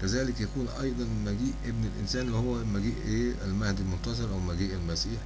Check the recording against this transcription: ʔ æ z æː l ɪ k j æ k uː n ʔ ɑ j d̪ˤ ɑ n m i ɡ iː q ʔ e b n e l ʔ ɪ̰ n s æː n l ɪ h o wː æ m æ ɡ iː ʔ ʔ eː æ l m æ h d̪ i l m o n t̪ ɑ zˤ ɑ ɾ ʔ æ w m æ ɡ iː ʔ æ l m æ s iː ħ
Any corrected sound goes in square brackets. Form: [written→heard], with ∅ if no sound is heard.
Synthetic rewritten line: [ʔ→k] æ z æː l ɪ k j æ k uː n ʔ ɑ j d̪ˤ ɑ n m [i→æ] ɡ iː [q→ʔ] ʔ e b n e l ʔ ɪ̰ n s æː n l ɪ h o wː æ m æ ɡ iː ʔ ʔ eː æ l m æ h d̪ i l m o n t̪ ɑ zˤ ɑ ɾ ʔ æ w m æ ɡ iː ʔ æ l m æ s iː ħ